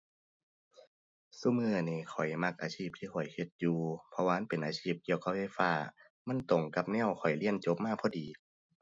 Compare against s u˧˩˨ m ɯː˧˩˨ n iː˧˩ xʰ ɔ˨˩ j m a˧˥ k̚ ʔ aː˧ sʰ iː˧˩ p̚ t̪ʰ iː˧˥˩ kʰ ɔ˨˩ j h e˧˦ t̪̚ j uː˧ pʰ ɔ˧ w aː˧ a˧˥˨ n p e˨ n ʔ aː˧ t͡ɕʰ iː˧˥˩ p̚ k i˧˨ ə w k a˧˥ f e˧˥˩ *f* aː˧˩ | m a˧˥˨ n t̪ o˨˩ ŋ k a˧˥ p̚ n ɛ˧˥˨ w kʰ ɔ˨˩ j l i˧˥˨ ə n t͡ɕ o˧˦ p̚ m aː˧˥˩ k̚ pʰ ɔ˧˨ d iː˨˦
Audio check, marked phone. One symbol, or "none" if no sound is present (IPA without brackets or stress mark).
f